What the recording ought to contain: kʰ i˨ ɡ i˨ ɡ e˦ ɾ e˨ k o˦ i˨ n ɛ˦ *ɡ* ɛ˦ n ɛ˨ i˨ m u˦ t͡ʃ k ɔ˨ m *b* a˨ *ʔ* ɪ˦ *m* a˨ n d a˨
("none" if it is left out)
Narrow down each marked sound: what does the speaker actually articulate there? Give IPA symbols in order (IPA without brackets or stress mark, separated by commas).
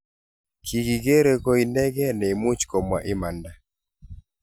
ɡ, w, ʔ, m